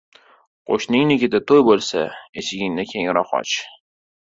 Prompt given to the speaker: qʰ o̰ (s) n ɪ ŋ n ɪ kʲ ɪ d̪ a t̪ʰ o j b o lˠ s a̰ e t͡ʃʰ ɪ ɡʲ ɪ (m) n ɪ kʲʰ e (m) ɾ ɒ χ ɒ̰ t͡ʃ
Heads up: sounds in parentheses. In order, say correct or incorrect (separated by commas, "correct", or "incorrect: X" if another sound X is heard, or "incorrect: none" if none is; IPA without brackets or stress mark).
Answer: incorrect: ʃ, incorrect: ŋ, incorrect: ŋ